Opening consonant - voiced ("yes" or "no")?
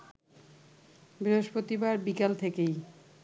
yes